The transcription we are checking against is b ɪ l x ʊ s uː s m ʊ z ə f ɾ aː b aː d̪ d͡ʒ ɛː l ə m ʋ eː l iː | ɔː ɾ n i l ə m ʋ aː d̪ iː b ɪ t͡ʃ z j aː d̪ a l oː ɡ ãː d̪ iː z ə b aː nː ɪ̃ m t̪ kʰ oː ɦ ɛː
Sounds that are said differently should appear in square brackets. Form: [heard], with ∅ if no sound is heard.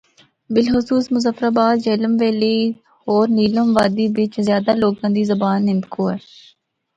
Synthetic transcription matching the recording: b ɪ l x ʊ s uː s m ʊ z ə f ɾ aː b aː d̪ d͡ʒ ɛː l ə m ʋ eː l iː | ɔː ɾ n [iː] l ə m ʋ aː d̪ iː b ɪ t͡ʃ z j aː d̪ a l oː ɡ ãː d̪ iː z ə b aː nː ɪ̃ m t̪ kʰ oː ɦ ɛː